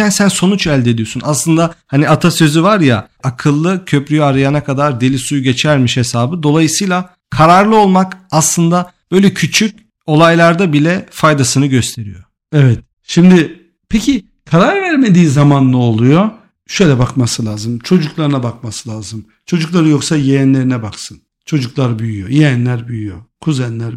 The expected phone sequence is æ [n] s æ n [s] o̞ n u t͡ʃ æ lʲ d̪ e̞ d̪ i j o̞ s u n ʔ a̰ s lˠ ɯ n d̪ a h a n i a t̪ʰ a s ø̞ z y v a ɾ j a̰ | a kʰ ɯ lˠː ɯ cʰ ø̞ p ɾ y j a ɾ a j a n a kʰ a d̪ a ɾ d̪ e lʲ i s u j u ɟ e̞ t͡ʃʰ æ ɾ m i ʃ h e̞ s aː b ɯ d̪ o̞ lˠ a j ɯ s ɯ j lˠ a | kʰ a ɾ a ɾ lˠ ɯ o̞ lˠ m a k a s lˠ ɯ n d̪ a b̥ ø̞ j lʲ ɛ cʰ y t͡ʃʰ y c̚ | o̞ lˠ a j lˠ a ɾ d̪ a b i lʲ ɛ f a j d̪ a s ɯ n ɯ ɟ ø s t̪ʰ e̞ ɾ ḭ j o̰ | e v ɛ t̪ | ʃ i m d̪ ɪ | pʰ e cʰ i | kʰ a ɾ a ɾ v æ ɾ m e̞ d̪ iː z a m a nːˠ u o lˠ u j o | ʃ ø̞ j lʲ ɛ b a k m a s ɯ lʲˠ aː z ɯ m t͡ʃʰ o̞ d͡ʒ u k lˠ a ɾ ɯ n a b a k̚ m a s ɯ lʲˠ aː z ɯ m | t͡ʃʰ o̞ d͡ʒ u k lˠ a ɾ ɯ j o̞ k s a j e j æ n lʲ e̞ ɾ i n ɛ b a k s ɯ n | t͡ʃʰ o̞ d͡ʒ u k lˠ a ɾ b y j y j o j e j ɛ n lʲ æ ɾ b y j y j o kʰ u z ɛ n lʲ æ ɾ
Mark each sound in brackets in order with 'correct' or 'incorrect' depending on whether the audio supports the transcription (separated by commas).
correct, correct